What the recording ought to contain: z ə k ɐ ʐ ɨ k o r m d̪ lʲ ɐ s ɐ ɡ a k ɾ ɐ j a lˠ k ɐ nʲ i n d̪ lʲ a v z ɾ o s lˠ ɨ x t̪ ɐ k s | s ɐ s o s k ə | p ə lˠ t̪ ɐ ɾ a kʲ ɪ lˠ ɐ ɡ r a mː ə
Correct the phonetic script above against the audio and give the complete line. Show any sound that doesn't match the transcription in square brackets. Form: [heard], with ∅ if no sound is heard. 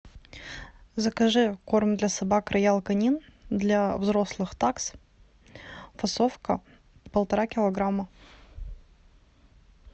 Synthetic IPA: z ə k ɐ ʐ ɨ k o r m d̪ lʲ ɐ s ɐ [b] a k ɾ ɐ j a lˠ k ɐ nʲ i n d̪ lʲ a v z ɾ o s lˠ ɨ x t̪ [a] k s | [f] ɐ s o [f] k ə | p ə lˠ t̪ ɐ ɾ a kʲ ɪ lˠ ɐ ɡ [ɾ] a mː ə